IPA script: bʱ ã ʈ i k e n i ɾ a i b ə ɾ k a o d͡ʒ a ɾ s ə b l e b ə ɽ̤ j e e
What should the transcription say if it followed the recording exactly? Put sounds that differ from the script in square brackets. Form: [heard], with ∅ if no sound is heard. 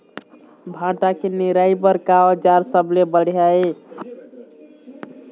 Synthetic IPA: bʱ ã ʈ [a] k e n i ɾ a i b ə ɾ k a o d͡ʒ a ɾ s ə b l e b ə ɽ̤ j [a] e